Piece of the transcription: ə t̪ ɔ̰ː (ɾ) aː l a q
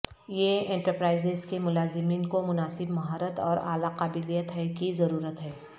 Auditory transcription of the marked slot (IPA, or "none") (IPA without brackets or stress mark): ɾ